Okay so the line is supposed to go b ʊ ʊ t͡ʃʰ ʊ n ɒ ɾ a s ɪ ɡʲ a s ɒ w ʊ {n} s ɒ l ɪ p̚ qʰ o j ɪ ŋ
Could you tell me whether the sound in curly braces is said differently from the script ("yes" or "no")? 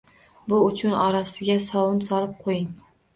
no